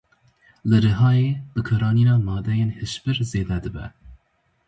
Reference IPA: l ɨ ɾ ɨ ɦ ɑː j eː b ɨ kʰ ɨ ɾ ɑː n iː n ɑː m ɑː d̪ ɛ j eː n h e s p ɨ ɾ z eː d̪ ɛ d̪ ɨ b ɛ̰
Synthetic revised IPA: l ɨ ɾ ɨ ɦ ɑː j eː b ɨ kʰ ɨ ɾ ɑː n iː n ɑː m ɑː d̪ ɛ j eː n h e ʃ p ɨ ɾ z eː d̪ ɛ d̪ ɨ b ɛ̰